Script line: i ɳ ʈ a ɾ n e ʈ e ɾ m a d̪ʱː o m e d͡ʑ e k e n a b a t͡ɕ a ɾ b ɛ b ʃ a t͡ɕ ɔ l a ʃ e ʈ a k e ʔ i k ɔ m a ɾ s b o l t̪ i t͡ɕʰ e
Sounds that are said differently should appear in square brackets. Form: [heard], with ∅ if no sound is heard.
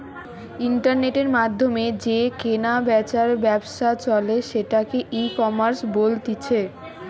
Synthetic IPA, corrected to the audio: i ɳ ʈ a ɾ n e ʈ e ɾ m a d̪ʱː o m e d͡ʑ e k e n a b [ɛ] t͡ɕ a ɾ b ɛ b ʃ a t͡ɕ ɔ l [e] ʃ e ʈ a k e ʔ i k ɔ m a ɾ s b o l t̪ i t͡ɕʰ e